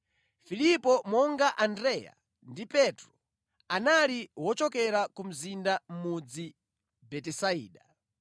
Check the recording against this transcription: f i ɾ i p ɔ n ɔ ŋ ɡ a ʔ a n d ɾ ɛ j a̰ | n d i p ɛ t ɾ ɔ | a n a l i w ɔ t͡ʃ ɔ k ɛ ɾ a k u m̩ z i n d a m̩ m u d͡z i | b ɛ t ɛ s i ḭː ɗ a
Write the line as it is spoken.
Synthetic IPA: f i l i p ɔ m ɔ ŋ ɡ a ʔ a n d ɾ ɛ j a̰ | n d i p ɛ t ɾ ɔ | a n a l i w ɔ t͡ʃ ɔ k ɛ ɾ a k u m̩ z i n d a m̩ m u d͡z i | b ɛ t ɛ s a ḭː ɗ a